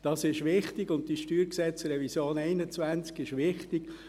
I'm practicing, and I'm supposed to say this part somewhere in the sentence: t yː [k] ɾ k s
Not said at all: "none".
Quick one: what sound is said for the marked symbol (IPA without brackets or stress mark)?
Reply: none